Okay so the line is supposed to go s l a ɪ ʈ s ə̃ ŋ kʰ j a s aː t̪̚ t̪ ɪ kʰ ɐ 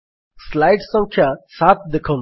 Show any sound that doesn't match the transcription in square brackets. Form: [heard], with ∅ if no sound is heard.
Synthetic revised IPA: s l a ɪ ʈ s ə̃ ŋ kʰ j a s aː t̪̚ [d̪] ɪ kʰ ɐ